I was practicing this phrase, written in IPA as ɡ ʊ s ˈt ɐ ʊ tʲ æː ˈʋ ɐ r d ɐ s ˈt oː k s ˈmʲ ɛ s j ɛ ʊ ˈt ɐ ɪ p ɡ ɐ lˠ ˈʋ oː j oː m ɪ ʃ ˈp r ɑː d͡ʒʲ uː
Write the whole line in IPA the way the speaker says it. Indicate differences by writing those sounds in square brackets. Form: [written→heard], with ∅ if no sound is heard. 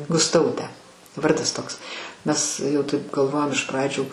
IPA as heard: ɡ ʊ s ˈt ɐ ʊ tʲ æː ˈʋ ɐ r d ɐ s ˈt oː k s ˈmʲ ɛ s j ɛ ʊ ˈt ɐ ɪ p ɡ ɐ lˠ ˈʋ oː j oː m ɪ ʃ ˈp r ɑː d͡ʒʲ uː